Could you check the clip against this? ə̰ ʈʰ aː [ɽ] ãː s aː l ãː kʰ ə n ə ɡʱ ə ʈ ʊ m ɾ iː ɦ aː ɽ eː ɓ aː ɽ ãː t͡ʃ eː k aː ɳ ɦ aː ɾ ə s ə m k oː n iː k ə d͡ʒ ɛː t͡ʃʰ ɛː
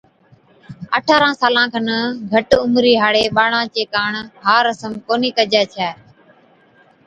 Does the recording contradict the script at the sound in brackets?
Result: yes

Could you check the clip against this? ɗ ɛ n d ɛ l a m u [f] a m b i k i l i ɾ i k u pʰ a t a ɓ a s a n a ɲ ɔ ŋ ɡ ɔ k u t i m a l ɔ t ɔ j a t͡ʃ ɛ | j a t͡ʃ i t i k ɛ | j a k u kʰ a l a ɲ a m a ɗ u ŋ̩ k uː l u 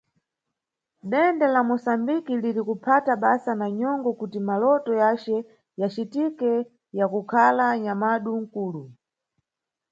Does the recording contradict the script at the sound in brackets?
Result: yes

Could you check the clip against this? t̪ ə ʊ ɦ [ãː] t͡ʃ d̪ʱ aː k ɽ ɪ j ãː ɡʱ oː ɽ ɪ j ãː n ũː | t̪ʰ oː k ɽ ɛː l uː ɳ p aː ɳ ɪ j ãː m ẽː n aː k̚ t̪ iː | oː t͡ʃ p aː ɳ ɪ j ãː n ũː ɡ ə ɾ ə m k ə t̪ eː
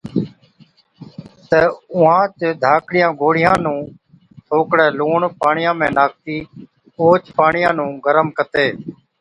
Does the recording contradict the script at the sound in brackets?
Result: no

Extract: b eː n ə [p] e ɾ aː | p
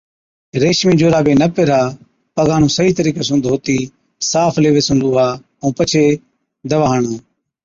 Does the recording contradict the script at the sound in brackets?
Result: no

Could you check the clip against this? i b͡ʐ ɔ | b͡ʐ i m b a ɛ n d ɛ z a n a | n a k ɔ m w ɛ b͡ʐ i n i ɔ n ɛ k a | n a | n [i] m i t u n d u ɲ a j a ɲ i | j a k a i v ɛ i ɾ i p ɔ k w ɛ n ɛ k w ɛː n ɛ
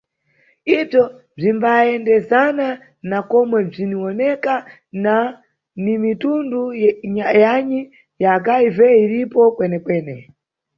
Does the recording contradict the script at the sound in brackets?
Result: no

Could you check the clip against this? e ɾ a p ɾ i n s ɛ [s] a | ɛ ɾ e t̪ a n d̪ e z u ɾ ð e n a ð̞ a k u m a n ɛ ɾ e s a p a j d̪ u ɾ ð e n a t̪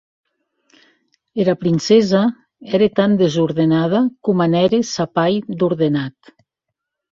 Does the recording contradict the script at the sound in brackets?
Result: yes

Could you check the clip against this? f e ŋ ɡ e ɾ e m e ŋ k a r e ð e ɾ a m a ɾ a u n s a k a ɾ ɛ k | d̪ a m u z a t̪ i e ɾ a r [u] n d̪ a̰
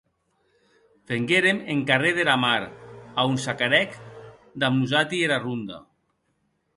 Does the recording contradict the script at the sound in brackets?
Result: no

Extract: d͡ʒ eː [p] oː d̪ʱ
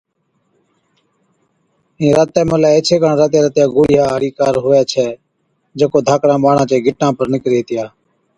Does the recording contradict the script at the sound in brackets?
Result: yes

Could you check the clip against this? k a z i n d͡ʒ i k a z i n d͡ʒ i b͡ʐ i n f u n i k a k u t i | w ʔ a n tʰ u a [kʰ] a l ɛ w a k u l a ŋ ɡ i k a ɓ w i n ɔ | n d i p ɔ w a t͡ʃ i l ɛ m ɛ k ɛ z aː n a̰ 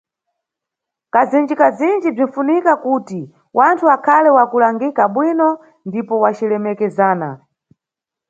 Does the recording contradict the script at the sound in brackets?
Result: no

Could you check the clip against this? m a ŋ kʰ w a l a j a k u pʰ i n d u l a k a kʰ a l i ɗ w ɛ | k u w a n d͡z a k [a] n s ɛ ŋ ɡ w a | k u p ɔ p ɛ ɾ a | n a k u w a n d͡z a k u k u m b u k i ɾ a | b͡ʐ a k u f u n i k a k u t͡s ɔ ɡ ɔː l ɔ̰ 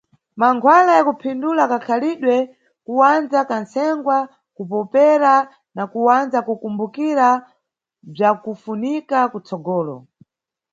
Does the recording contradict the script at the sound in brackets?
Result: no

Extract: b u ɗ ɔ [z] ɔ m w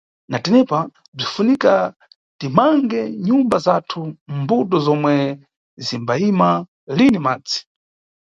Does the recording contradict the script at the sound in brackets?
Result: no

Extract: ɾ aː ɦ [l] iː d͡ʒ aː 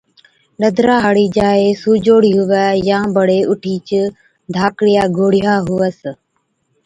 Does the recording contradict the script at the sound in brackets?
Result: yes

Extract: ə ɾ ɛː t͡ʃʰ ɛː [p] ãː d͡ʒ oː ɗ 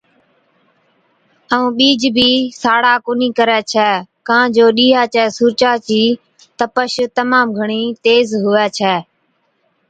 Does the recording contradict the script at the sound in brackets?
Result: yes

